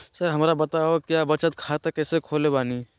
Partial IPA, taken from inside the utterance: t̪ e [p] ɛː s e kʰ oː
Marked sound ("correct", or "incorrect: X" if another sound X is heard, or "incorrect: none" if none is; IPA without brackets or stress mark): incorrect: k